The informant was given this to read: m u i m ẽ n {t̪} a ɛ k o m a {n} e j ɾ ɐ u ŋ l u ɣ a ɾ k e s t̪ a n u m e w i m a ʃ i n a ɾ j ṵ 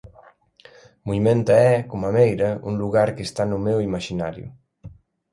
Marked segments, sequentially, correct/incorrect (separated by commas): correct, incorrect